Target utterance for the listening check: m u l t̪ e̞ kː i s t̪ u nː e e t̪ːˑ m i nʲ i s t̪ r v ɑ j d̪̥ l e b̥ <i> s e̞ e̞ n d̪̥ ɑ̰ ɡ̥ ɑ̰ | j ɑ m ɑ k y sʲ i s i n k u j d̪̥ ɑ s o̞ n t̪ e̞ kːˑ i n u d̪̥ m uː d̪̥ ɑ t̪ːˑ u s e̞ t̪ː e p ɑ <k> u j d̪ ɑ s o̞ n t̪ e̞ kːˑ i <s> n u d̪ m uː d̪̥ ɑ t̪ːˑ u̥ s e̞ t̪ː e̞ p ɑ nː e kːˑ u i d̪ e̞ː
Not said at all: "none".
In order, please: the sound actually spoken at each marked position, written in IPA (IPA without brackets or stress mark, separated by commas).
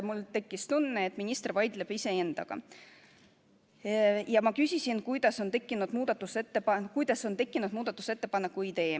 i, k, none